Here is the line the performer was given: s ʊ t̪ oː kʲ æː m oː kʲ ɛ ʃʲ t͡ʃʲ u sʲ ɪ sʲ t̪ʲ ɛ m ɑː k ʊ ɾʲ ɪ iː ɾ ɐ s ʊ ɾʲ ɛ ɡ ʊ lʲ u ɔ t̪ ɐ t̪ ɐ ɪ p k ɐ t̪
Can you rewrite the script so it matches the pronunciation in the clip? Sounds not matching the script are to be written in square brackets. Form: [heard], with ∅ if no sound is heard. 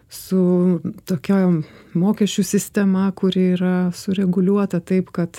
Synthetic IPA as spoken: s ʊ t̪ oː kʲ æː m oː kʲ ɛ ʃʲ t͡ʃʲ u sʲ ɪ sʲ t̪ʲ ɛ m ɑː k ʊ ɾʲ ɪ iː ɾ ɐ s ʊ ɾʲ ɛ ɡ ʊ lʲ u ɔ t̪ ɐ t̪ ɐ ɪ p k ɐ t̪